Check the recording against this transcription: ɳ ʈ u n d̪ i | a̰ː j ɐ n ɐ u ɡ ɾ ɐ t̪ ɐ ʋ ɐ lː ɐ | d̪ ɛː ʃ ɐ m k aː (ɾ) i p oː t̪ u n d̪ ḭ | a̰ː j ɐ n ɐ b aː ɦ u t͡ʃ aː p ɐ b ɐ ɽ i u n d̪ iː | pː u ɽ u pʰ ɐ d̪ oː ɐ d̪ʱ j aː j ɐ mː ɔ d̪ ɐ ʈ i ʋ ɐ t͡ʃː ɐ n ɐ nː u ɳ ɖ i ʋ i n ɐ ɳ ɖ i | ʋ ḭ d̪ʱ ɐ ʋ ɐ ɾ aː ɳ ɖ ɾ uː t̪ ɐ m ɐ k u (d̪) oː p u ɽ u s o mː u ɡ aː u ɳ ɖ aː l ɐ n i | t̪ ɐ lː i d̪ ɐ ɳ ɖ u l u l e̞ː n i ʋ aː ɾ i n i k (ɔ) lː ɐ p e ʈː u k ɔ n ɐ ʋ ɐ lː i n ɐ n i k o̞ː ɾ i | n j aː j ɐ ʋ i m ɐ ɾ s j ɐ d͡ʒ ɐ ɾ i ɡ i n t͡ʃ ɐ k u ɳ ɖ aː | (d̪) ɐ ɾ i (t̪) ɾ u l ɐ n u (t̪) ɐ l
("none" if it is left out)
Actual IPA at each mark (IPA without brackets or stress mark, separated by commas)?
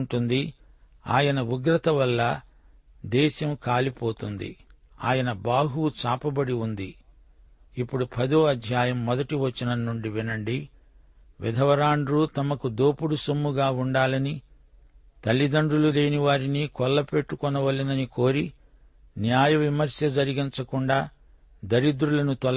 l, d̪, ɔ, d̪, d̪, t̪